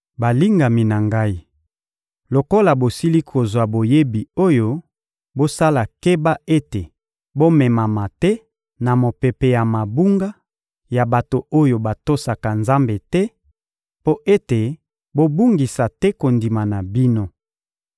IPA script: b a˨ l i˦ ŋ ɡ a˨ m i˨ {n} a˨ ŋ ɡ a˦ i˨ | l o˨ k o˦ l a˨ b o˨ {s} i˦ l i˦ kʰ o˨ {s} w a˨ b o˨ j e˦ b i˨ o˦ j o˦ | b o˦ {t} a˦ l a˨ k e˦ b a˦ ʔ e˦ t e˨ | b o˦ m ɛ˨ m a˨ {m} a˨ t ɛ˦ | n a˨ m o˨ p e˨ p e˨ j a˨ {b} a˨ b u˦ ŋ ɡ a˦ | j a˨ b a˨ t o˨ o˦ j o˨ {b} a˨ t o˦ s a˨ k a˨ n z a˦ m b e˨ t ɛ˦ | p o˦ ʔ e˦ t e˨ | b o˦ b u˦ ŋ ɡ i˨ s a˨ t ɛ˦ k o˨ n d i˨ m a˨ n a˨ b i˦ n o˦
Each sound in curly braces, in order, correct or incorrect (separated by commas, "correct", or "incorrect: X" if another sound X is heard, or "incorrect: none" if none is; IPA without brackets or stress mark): correct, correct, incorrect: z, incorrect: s, correct, incorrect: m, correct